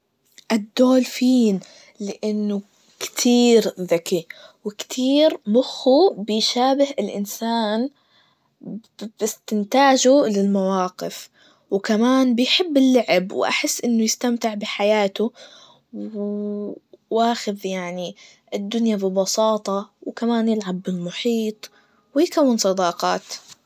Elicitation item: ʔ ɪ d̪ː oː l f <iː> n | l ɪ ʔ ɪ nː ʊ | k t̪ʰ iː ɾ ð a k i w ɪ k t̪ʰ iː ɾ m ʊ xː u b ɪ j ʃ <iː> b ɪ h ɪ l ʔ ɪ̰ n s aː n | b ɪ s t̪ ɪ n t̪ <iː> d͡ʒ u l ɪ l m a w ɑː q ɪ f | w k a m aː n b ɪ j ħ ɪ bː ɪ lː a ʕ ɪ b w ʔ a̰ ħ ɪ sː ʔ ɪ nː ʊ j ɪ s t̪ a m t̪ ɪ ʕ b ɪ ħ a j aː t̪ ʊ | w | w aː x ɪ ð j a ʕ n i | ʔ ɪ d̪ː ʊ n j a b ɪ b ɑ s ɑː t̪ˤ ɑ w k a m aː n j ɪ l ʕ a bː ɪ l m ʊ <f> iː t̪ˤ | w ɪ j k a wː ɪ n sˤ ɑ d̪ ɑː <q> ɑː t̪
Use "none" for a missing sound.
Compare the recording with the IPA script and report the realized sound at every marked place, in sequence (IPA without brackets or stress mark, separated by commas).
iː, aː, aː, ħ, q